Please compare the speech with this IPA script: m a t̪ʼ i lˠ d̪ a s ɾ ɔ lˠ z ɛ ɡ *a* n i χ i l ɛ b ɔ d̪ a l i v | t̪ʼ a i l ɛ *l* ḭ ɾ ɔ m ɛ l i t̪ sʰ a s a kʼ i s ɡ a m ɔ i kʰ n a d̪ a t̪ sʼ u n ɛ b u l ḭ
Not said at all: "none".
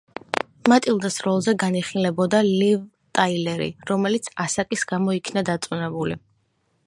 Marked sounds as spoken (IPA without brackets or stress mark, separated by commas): a, ɾ